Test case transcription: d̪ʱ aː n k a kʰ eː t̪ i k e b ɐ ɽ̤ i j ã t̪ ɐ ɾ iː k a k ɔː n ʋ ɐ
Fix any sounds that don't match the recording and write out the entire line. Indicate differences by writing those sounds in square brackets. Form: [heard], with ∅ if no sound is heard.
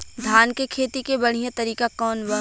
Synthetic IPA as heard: d̪ʱ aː n k [e] kʰ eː t̪ i k e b ɐ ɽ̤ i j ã t̪ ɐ ɾ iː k a k ɔː n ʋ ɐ